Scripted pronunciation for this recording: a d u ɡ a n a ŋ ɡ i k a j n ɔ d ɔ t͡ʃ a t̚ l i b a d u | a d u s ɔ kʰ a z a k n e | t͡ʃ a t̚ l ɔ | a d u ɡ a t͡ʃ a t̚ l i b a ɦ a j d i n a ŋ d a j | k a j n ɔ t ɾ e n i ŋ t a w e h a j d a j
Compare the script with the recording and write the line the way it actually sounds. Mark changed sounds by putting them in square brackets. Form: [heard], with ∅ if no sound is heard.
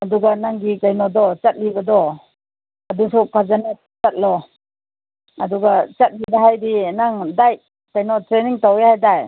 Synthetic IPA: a d u ɡ a n a ŋ ɡ i k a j n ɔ d ɔ t͡ʃ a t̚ l i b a d [ɔ] | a d u s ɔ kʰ a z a [∅] n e | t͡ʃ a t̚ l ɔ | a d u ɡ a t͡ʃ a t̚ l i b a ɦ a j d i n a ŋ d a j | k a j n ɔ t ɾ e n i ŋ t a w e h a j d a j

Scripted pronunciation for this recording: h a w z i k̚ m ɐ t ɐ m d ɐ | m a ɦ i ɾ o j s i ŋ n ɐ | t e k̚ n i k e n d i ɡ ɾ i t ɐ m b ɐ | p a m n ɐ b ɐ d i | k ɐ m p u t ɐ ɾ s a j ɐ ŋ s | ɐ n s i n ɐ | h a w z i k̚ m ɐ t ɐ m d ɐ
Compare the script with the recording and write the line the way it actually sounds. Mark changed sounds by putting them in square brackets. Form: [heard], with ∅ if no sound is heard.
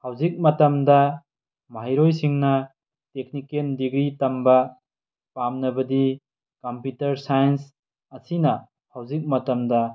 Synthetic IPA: h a w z i k̚ m ɐ t ɐ m d ɐ | m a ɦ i ɾ o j s i ŋ n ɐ | t e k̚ n i k e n d i ɡ ɾ i t ɐ m b ɐ | p a m n ɐ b ɐ d i | k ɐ m p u t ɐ ɾ s a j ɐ [n] s | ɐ [∅] s i n ɐ | h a w z i k̚ m ɐ t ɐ m d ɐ

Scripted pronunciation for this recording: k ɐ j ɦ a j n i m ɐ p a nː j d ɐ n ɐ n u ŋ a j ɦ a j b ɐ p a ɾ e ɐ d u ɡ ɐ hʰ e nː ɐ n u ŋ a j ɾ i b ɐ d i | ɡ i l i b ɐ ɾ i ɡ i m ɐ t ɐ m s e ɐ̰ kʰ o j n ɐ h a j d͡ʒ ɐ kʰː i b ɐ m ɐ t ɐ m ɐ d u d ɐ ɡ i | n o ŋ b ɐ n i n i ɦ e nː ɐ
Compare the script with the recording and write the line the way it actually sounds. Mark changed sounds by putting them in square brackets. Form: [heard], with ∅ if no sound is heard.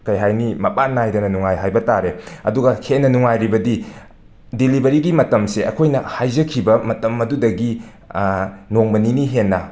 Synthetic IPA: k ɐ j ɦ a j n i m ɐ p a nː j d ɐ n ɐ n u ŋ a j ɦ a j b ɐ [t] a ɾ e ɐ d u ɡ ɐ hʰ e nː ɐ n u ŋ a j ɾ i b ɐ d i | [d] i l i b ɐ ɾ i ɡ i m ɐ t ɐ m s e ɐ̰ kʰ o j n ɐ h a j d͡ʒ ɐ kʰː i b ɐ m ɐ t ɐ m ɐ d u d ɐ ɡ i | n o ŋ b ɐ n i n i ɦ e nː ɐ

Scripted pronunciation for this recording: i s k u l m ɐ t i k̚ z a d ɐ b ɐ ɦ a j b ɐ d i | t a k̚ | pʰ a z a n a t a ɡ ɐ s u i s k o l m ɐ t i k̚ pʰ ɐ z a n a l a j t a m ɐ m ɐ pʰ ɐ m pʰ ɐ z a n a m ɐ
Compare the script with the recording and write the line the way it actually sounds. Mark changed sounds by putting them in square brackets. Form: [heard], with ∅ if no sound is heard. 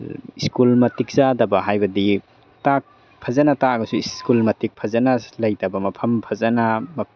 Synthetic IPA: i s k u l m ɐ t i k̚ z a d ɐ b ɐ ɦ a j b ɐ d i | t a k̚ | pʰ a z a n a t a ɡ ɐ s u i s k [u] l m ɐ t i k̚ pʰ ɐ z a n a l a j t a [b] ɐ m ɐ pʰ ɐ m pʰ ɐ z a n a m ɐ

